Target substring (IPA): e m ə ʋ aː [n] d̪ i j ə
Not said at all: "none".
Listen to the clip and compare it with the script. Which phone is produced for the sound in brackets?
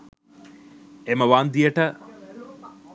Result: n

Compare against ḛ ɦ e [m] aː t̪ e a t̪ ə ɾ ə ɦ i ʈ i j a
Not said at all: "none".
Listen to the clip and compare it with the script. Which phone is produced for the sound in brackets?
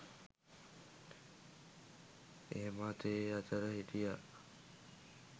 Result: m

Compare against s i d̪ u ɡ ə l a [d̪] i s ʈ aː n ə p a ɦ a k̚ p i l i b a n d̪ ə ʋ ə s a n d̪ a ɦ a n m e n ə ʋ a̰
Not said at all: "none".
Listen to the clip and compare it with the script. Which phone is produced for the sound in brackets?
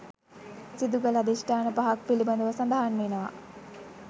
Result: d̪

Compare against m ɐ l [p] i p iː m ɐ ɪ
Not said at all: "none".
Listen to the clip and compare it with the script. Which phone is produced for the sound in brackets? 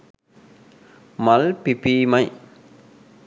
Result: p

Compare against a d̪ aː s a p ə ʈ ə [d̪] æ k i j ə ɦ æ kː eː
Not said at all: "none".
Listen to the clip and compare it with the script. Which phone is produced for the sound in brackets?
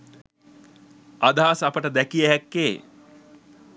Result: d̪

